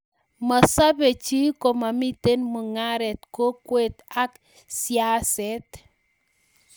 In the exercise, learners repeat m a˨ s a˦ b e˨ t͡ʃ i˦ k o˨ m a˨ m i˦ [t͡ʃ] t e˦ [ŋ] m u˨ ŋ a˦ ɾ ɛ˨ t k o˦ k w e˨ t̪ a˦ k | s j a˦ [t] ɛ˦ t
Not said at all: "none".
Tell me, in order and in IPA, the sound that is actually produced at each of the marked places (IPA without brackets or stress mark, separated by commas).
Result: none, n, s